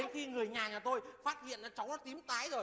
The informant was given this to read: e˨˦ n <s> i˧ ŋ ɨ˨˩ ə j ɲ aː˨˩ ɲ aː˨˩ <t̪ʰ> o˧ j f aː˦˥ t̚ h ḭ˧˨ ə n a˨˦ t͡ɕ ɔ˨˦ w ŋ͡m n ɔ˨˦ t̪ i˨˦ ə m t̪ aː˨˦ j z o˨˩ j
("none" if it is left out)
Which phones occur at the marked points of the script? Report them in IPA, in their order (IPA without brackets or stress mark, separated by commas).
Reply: x, t̪